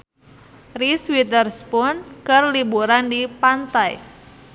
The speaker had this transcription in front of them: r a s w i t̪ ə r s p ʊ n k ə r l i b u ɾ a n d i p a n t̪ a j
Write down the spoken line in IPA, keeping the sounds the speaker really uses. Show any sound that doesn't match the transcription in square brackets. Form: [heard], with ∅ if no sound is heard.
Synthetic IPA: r [i] s w i t̪ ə r s p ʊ n k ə r l i b u ɾ a n d i p a n t̪ a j